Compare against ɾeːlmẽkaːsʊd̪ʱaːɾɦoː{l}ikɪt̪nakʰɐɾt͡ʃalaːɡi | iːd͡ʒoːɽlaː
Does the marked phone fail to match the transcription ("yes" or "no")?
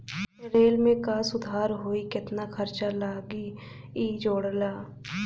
yes